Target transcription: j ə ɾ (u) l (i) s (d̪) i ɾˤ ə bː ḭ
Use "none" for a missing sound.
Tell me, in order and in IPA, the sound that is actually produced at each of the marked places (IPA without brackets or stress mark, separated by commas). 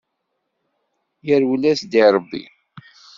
w, æ, d̪